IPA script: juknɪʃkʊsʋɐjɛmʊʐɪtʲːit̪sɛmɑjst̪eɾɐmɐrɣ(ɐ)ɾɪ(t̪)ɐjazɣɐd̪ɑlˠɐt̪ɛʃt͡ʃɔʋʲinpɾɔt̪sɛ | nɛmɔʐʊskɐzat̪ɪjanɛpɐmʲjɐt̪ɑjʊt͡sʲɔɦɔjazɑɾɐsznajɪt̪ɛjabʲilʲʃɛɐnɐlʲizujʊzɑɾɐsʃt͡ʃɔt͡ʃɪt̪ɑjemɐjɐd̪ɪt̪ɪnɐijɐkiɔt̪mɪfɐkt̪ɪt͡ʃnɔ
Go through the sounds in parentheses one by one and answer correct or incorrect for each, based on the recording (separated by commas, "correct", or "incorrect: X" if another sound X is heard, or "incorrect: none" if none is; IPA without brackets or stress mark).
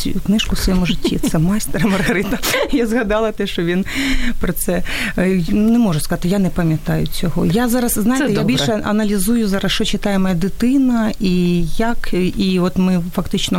correct, correct